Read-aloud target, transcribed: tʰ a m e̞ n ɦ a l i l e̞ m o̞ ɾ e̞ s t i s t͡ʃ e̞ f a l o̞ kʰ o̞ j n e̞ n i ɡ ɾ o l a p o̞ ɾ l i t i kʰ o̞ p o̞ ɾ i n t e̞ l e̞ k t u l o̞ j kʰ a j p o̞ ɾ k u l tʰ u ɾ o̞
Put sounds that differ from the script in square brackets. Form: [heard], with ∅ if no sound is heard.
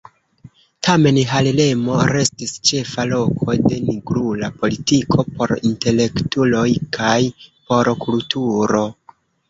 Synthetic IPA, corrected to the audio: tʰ a m e̞ n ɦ a l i l e̞ m o̞ ɾ e̞ s t i s t͡ʃ e̞ f a l o̞ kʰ o̞ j [d] e̞ n i ɡ ɾ [u] l a p o̞ [∅] l i t i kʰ o̞ p o̞ ɾ i n t e̞ l e̞ k t u l o̞ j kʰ a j p o̞ ɾ k u l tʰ u ɾ o̞